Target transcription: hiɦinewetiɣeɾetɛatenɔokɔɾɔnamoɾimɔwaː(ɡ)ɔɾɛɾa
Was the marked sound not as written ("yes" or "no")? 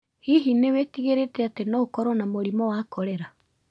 yes